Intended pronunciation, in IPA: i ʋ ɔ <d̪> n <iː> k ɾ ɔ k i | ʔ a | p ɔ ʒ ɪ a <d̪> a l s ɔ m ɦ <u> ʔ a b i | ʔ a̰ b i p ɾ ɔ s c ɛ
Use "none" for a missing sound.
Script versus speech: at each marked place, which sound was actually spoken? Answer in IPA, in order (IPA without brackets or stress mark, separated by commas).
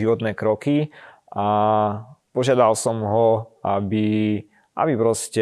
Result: t̪, ɛː, d̪, ɔ